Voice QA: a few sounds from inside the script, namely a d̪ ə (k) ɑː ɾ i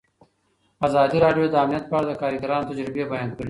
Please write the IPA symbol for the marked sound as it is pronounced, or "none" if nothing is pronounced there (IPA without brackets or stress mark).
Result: k